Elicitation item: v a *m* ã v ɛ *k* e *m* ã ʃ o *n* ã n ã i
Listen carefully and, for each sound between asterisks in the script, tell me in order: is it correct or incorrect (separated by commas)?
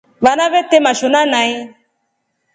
incorrect, incorrect, correct, correct